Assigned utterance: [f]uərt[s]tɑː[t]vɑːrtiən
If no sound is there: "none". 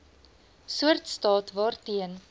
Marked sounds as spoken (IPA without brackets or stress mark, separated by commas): s, s, t